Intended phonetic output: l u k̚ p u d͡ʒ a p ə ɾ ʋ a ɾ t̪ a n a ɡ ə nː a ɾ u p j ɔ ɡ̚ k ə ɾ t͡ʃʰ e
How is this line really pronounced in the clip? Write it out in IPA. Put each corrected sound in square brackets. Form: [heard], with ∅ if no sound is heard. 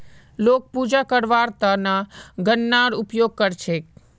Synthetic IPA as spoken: l [o] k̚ p u d͡ʒ a [k] ə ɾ ʋ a ɾ t̪ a n a ɡ ə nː a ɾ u p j [o] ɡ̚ k ə ɾ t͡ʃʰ e